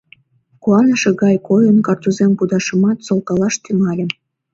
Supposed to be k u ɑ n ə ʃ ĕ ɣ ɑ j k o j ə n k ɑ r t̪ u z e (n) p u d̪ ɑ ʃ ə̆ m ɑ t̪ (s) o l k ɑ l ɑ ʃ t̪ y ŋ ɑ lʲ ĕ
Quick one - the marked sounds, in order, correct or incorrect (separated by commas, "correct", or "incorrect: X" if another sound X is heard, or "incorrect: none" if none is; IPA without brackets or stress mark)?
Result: incorrect: m, correct